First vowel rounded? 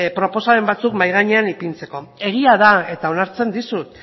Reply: yes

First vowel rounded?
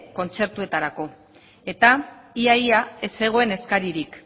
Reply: yes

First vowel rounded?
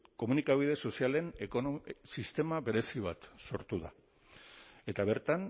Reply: yes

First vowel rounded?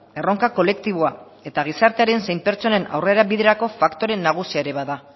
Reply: no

